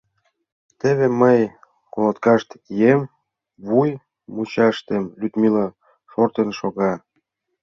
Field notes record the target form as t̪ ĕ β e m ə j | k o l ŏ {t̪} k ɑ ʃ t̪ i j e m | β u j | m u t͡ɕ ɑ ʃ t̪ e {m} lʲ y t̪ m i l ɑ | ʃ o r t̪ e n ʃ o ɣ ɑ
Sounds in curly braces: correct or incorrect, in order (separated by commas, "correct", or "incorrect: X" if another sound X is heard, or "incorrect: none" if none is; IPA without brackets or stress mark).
correct, correct